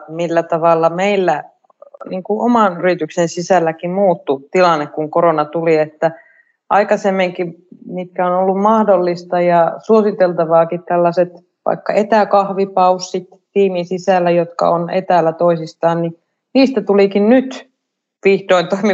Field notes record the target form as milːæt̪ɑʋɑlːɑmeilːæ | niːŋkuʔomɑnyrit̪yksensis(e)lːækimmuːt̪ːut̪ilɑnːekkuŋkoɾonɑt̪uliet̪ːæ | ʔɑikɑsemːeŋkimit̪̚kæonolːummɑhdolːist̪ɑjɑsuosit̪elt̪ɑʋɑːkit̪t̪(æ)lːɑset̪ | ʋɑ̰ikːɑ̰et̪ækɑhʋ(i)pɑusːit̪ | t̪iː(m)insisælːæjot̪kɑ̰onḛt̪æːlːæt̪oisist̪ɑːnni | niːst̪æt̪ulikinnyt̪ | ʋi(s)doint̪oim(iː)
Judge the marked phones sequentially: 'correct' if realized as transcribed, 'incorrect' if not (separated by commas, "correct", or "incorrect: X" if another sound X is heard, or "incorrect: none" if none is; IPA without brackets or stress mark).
incorrect: æ, correct, correct, correct, incorrect: h, incorrect: i